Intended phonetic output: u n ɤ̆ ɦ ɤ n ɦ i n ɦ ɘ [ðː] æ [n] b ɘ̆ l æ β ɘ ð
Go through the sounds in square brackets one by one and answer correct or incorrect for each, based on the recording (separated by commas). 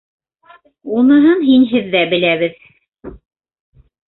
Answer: correct, incorrect